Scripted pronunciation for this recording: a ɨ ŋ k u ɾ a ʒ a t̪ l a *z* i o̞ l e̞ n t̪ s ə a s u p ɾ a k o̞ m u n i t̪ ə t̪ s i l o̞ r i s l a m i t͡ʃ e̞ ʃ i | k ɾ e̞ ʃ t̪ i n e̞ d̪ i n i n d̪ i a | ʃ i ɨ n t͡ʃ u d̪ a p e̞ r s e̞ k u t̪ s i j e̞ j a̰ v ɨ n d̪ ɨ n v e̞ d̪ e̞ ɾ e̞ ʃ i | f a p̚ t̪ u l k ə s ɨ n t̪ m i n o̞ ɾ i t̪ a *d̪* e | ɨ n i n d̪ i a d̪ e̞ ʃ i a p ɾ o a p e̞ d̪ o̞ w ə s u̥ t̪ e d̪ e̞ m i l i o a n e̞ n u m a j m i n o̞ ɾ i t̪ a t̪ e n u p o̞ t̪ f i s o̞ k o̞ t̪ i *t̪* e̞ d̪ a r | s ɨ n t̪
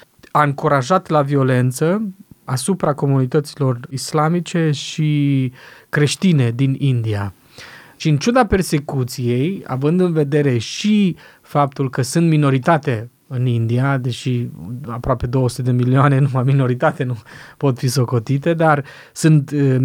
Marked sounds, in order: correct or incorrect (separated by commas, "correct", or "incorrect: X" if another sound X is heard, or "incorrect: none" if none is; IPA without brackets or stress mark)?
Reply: incorrect: v, incorrect: t̪, correct